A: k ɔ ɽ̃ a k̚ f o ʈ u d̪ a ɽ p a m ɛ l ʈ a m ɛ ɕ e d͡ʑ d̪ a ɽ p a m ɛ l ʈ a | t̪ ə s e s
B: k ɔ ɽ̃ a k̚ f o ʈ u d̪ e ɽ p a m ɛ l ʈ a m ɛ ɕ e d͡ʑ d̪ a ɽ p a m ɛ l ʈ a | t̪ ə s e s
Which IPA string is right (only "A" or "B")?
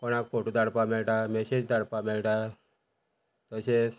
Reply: A